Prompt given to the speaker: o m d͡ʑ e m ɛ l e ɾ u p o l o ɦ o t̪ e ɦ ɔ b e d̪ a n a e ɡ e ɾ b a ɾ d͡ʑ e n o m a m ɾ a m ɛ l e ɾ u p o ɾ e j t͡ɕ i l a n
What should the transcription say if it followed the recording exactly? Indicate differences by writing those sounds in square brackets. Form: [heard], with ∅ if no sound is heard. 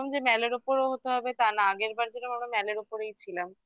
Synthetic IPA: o m d͡ʑ e m ɛ l e ɾ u p o [ɾ] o ɦ o t̪ e ɦ ɔ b e [t̪] a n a [a] ɡ e ɾ b a ɾ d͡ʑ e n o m a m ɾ a m ɛ l e ɾ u p o ɾ e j [t͡ɕʰ] i l a [m]

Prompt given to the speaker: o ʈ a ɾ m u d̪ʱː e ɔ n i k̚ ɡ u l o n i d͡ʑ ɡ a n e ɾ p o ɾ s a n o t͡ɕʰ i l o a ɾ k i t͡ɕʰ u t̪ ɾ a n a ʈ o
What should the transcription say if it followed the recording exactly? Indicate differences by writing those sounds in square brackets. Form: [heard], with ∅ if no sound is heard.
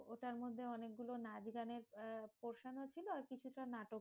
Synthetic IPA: o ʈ a ɾ m [o] d̪ʱː e ɔ n [e] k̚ ɡ u l o n [a] d͡ʑ ɡ a n e ɾ p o ɾ [ʃ] a n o t͡ɕʰ i l o a ɾ k i t͡ɕʰ u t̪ ɾ a n a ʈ o

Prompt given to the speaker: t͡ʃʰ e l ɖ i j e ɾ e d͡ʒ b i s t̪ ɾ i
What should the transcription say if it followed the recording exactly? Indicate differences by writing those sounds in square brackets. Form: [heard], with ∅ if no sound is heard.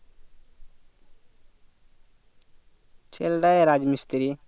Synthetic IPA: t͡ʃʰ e l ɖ [a] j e ɾ [a] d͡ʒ [m] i s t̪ ɾ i

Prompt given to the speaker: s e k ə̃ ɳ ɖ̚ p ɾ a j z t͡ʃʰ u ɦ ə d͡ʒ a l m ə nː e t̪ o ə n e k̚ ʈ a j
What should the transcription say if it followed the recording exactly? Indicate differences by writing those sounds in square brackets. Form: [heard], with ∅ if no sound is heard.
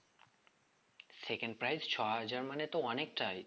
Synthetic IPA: s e k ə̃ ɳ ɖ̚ p ɾ a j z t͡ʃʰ [ɔ] ɦ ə d͡ʒ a [ɾ] m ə [n] e t̪ o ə n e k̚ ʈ a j

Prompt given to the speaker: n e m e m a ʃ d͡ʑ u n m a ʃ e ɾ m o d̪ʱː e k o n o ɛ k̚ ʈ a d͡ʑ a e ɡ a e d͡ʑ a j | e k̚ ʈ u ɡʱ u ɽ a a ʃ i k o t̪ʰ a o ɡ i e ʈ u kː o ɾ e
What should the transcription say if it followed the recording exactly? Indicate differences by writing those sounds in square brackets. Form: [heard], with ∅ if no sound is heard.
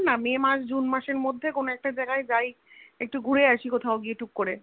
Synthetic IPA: n [a] m e m a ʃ d͡ʑ u n m a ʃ e ɾ m o d̪ʱː e k o n o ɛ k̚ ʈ a d͡ʑ a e ɡ a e d͡ʑ a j | e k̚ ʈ u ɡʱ u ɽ [e] a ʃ i k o t̪ʰ a o ɡ i e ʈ u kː o ɾ e

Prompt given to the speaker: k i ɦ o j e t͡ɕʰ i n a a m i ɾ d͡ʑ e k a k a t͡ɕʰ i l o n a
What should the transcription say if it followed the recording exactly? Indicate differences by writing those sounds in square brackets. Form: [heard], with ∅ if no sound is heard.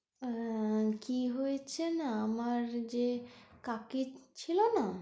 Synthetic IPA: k i ɦ o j e t͡ɕʰ [e] n a a m [a] ɾ d͡ʑ e k a k [i] t͡ɕʰ i l o n a

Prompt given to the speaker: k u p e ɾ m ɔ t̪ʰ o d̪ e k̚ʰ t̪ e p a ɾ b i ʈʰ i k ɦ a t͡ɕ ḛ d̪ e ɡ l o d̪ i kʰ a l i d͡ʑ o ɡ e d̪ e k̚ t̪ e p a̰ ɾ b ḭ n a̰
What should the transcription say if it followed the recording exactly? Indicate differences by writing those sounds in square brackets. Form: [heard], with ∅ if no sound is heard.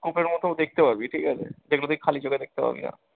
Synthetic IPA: k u p e ɾ m ɔ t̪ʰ o d̪ e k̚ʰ t̪ e p a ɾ b i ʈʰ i k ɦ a [t͡ɕʰ] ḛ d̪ e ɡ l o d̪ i kʰ a l i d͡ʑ o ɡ e d̪ e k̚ t̪ e p a̰ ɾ b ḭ n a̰

